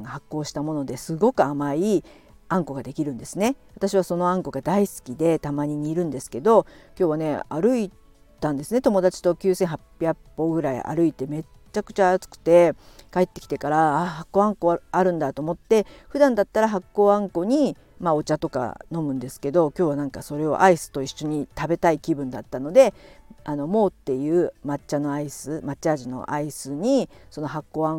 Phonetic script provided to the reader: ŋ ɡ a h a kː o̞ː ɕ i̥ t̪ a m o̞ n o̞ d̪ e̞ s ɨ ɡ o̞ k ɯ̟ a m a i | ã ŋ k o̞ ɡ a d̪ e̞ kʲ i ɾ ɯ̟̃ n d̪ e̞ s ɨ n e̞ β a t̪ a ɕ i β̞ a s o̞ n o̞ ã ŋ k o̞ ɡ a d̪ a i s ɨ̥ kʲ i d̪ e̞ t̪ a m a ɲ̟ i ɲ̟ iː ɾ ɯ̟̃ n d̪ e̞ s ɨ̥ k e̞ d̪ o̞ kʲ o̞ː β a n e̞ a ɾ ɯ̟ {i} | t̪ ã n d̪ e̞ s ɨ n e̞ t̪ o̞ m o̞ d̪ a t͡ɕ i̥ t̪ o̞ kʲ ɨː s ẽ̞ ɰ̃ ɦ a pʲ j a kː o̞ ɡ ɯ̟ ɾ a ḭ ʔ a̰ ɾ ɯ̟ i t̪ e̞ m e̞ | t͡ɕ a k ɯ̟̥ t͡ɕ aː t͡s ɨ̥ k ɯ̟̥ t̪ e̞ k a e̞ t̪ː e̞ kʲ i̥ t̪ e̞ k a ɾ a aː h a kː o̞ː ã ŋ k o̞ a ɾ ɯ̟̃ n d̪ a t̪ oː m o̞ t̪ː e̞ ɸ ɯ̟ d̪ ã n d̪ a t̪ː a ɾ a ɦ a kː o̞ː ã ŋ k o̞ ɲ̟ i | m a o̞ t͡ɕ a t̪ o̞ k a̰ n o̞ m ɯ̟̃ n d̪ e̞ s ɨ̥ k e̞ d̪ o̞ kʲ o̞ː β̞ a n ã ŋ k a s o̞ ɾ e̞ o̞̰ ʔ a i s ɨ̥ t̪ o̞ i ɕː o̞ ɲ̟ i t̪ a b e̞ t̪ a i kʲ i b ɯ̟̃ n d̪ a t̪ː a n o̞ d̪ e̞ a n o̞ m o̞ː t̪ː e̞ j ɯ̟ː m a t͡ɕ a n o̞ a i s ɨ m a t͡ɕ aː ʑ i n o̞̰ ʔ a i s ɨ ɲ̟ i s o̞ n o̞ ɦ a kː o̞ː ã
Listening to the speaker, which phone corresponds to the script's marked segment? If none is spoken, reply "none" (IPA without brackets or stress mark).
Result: i